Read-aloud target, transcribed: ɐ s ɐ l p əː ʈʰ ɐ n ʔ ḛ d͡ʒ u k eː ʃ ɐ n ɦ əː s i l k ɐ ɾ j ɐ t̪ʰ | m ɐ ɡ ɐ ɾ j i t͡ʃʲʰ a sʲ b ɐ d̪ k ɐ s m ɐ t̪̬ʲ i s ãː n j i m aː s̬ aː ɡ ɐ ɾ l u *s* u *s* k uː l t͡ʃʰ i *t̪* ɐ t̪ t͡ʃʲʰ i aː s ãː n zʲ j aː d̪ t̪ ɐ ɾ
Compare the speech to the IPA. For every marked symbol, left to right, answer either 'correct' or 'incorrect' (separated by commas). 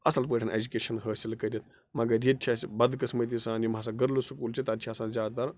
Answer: correct, incorrect, correct